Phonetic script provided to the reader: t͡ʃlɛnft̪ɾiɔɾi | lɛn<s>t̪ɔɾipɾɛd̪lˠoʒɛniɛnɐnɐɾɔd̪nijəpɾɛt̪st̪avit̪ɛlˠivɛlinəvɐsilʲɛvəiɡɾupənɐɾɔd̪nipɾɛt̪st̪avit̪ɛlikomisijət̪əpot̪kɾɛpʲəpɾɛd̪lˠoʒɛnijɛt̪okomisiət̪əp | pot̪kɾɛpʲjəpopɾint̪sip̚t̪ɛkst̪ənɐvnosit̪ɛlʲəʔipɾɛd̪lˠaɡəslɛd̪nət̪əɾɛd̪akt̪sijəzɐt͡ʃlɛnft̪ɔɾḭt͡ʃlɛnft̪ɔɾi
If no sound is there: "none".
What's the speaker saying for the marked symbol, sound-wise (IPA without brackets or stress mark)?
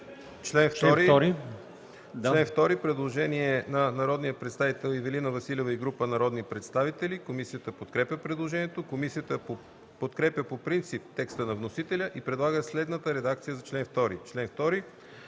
f